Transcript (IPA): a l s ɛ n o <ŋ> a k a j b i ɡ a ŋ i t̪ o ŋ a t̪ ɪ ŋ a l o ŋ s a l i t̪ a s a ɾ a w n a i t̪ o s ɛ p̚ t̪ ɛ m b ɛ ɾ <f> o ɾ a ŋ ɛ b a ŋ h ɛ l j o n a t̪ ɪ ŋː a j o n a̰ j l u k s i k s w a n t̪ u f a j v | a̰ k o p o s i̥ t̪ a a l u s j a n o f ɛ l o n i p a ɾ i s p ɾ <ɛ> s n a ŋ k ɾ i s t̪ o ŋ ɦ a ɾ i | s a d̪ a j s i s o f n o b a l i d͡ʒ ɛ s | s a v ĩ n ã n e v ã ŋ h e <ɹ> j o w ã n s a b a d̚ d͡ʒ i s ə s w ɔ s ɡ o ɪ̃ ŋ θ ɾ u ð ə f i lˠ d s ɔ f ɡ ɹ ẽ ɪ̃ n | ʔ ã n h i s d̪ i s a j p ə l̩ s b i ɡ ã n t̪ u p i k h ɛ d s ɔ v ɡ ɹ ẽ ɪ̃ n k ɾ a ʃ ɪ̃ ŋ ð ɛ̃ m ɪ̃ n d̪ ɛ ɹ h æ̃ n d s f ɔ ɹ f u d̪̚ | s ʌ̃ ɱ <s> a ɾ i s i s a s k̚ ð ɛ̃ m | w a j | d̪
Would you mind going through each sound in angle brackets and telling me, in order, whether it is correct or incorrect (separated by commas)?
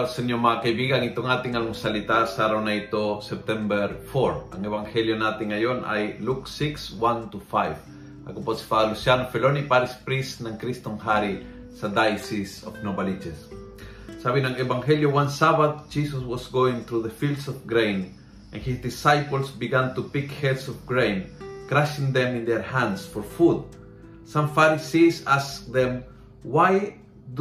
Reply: incorrect, correct, incorrect, incorrect, incorrect